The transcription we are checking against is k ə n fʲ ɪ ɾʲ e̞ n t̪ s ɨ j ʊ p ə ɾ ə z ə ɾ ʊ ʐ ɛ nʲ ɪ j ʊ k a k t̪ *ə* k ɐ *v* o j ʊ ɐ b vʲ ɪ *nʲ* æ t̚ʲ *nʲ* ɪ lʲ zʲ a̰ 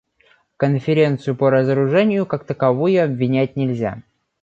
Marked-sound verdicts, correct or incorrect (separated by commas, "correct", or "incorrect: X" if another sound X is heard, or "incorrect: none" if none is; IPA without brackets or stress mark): correct, correct, correct, correct